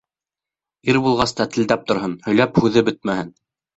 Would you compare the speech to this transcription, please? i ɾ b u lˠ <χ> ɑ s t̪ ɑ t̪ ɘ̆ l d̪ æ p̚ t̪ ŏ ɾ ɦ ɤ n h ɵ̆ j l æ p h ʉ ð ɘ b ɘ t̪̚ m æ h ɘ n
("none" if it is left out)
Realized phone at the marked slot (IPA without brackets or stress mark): ʁ